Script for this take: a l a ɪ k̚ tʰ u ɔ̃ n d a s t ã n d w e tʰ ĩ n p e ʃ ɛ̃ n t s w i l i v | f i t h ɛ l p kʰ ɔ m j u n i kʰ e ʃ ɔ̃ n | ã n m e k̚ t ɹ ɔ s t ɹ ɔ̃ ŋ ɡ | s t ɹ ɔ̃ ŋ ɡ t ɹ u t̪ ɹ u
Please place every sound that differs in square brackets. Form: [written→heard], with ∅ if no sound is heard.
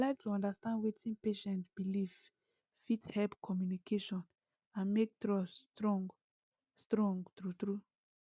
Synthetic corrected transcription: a l a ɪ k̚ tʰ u ɔ̃ n d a s t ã n d w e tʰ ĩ n p e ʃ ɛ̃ n t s [w→b] i l i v | f i t h ɛ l p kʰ ɔ m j u n i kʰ e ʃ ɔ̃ n | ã n m e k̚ t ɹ ɔ s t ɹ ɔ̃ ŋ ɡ | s t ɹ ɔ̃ ŋ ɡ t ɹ u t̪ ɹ u